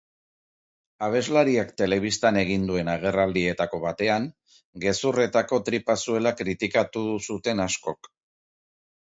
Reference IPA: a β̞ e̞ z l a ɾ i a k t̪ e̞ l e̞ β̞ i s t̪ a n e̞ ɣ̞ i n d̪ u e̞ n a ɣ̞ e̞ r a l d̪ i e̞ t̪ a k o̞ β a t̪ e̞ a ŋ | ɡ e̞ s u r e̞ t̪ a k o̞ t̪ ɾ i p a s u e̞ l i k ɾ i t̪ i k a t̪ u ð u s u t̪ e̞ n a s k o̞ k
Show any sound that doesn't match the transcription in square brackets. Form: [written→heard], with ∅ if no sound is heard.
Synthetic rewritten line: a β̞ e̞ z l a ɾ i a k t̪ e̞ l e̞ β̞ i s t̪ a n e̞ ɣ̞ i n d̪ u e̞ n a ɣ̞ e̞ r a l d̪ i e̞ t̪ a k o̞ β a t̪ e̞ a ŋ | ɡ e̞ s u r e̞ t̪ a k o̞ t̪ ɾ i p a s u e̞ l [i→a] k ɾ i t̪ i k a t̪ u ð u s u t̪ e̞ n a s k o̞ k